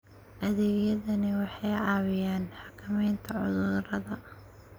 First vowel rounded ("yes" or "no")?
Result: no